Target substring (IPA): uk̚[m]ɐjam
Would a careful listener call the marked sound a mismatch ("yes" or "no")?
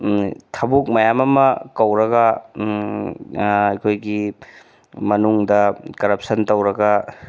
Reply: no